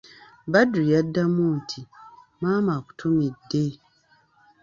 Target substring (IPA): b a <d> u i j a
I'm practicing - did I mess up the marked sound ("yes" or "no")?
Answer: no